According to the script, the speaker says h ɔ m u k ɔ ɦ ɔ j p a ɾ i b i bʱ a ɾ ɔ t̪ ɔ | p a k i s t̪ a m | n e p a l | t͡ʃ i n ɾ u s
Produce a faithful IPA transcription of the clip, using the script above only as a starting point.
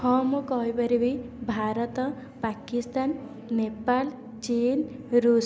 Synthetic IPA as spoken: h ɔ m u k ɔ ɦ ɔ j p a ɾ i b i bʱ a ɾ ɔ t̪ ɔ | p a k i s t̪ a n | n e p a l | t͡ʃ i n ɾ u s